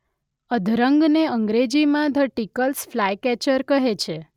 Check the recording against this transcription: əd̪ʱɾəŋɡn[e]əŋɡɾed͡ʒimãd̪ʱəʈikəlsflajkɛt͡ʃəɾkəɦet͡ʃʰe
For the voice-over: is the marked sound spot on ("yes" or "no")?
yes